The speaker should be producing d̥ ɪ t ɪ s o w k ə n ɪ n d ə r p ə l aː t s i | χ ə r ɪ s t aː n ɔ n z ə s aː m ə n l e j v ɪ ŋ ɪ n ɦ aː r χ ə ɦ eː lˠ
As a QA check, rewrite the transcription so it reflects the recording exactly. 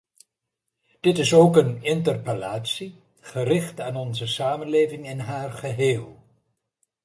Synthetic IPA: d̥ ɪ t ɪ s o w k ə n ɪ n t ə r p ə l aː t s i | χ ə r ɪ χ t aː n ɔ n z ə s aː m ə n l e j v ɪ ŋ ɪ n ɦ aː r χ ə ɦ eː lˠ